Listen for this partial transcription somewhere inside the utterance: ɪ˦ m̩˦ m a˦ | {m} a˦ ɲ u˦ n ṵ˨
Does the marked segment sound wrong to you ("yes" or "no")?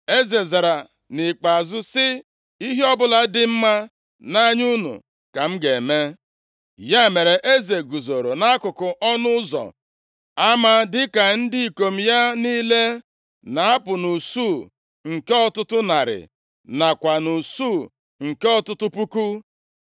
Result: yes